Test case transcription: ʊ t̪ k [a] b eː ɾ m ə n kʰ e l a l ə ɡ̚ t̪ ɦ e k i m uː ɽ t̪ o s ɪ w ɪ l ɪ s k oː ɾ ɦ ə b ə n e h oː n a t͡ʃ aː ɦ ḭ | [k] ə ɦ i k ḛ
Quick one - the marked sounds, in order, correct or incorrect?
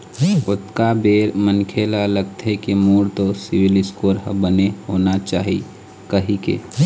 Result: correct, correct

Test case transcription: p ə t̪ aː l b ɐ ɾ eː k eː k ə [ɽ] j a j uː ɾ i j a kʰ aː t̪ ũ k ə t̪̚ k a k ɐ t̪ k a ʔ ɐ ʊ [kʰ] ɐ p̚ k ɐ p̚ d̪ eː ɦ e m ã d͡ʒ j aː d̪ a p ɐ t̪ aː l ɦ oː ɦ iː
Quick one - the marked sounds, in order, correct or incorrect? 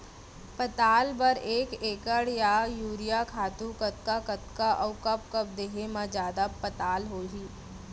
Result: correct, incorrect

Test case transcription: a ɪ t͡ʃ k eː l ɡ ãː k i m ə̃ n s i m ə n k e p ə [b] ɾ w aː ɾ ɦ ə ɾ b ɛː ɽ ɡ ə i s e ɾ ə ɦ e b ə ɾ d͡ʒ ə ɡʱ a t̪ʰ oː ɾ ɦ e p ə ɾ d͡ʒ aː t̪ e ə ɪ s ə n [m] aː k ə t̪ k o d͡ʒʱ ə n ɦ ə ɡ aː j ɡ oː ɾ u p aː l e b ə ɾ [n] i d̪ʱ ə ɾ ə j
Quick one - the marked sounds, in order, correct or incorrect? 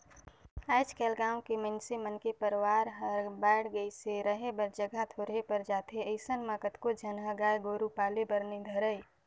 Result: incorrect, correct, correct

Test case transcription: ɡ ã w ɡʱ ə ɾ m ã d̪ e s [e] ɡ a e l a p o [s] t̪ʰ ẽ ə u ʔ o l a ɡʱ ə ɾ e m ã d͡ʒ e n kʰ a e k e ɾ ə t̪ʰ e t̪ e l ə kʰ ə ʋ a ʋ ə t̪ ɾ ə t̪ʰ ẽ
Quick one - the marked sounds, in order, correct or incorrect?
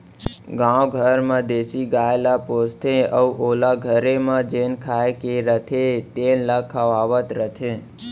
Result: incorrect, correct

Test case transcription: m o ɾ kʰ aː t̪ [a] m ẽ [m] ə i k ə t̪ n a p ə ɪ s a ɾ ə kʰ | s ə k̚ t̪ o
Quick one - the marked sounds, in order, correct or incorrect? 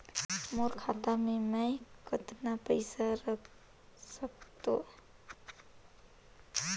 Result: correct, correct

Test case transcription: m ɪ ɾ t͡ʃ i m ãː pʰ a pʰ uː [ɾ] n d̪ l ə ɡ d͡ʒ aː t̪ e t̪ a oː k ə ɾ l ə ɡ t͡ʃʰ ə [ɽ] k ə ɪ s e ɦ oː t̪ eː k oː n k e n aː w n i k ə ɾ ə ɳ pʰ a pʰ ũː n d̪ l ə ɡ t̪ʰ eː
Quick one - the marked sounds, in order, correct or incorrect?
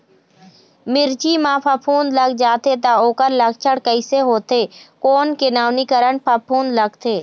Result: incorrect, correct

